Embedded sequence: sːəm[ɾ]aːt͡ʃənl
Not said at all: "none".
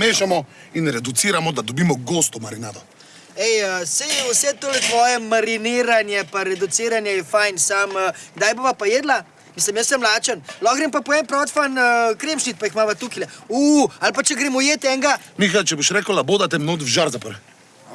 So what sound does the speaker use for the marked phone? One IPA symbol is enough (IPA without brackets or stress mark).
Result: l